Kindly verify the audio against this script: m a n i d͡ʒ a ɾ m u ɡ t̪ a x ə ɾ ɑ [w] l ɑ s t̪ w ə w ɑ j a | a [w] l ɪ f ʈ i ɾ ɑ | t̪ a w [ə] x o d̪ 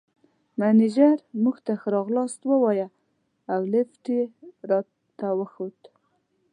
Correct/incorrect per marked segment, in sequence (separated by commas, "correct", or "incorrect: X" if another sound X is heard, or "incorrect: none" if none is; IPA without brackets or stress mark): incorrect: ɣ, correct, correct